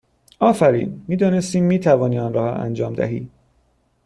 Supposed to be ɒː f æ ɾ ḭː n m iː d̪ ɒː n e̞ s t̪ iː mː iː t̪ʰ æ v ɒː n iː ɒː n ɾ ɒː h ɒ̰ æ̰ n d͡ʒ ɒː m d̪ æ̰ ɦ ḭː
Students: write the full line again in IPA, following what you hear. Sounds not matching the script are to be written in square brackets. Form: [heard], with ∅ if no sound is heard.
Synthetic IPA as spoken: ɒː f æ ɾ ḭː n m iː d̪ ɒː n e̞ s t̪ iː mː iː t̪ʰ æ v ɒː n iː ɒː n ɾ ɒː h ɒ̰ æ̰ n d͡ʒ ɒː m d̪ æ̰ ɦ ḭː